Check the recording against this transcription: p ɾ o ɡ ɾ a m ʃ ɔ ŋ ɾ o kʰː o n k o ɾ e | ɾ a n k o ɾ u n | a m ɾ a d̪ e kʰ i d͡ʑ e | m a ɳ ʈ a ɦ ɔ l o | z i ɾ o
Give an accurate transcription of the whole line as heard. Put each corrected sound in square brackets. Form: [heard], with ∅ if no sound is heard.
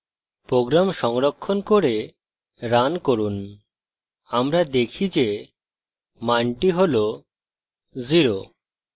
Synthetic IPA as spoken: p ɾ o ɡ ɾ a m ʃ ɔ ŋ ɾ o kʰː o n k o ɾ e | ɾ a n k o ɾ u n | a m ɾ a d̪ e kʰ i d͡ʑ e | m a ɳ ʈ [i] ɦ [o] l o | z i ɾ o